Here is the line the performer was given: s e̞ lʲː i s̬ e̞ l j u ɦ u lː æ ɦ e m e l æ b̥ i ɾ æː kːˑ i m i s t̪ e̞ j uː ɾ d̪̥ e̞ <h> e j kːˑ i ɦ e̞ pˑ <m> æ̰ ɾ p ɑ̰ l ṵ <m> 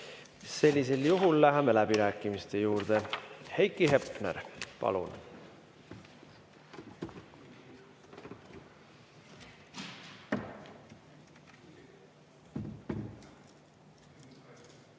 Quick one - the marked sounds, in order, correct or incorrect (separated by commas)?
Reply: correct, incorrect, incorrect